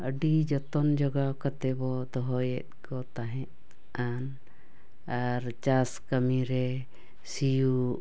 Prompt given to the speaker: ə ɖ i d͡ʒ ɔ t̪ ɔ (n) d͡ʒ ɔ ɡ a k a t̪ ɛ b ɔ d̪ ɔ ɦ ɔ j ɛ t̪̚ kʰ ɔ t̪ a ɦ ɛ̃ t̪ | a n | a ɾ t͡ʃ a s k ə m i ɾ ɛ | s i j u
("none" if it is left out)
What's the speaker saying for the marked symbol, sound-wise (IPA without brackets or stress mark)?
n